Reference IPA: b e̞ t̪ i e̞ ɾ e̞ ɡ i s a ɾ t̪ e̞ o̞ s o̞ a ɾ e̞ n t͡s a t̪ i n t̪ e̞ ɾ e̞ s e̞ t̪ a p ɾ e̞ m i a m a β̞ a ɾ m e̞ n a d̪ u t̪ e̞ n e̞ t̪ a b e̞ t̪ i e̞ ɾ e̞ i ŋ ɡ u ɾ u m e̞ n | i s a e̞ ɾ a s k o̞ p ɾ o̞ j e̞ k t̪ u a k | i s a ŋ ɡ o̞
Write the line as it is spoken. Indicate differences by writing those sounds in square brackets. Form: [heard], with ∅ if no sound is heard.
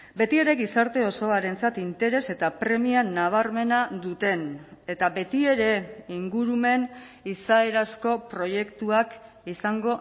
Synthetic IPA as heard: b e̞ t̪ i e̞ ɾ e̞ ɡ i s a ɾ t̪ e̞ o̞ s o̞ a ɾ e̞ n t͡s a t̪ i n t̪ e̞ ɾ e̞ s e̞ t̪ a p ɾ e̞ m i a [n] a β̞ a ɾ m e̞ n a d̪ u t̪ e̞ n e̞ t̪ a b e̞ t̪ i e̞ ɾ e̞ i ŋ ɡ u ɾ u m e̞ n | i s a e̞ ɾ a s k o̞ p ɾ o̞ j e̞ k t̪ u a k | i s a ŋ ɡ o̞